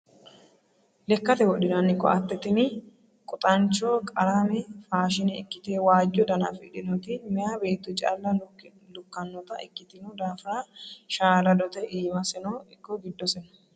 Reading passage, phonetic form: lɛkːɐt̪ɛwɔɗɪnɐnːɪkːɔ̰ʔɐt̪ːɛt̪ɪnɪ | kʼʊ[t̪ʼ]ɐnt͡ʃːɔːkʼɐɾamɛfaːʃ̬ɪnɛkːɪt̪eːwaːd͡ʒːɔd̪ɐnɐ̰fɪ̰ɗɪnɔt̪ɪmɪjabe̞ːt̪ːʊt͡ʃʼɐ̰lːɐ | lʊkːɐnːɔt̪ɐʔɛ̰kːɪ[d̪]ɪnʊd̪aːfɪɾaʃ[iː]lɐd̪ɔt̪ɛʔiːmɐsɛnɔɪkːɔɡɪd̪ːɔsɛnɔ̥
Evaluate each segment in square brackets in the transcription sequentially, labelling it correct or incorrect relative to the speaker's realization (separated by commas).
correct, incorrect, incorrect